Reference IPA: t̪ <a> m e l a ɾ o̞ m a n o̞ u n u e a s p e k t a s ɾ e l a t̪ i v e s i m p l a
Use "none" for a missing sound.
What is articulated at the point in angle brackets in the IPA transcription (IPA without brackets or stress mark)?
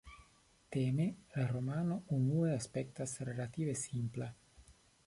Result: e